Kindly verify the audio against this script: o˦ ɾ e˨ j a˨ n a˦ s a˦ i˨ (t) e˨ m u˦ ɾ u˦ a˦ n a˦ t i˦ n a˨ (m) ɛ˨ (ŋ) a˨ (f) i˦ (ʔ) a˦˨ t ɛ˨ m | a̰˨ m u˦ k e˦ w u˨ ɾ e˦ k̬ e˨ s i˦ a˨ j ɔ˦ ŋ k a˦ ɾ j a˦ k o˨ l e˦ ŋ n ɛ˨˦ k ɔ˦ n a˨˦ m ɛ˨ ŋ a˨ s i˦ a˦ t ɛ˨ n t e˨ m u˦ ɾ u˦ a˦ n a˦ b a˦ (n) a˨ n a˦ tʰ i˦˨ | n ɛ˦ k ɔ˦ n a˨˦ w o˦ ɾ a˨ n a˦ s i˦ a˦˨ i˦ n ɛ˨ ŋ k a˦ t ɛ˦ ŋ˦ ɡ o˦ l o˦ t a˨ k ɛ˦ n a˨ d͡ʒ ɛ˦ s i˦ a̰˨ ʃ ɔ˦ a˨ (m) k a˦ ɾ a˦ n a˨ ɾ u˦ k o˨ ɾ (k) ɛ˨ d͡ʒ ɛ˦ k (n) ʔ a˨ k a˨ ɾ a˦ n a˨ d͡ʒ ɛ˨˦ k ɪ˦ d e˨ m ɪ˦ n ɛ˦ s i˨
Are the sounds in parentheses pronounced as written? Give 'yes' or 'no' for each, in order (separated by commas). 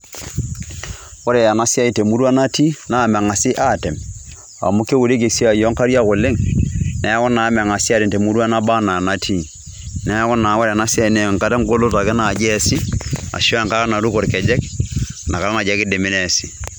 yes, yes, yes, no, yes, yes, no, yes, yes